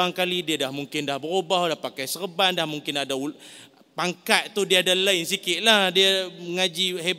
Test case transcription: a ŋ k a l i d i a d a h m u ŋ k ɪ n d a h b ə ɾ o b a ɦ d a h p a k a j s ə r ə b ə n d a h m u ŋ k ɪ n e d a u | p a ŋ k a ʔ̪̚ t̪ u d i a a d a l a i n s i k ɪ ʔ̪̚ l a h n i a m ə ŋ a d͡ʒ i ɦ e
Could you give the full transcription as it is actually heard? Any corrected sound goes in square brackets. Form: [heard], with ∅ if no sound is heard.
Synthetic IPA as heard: a ŋ k a l i d i a d a h m u ŋ k ɪ n d a h b ə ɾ o b a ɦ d a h p a k a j s ə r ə b [a] n d a h m u ŋ k ɪ n [a] d a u | p a ŋ k a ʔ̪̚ t̪ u d i a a d a l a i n s i k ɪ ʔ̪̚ l a h [d] i a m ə ŋ a d͡ʒ i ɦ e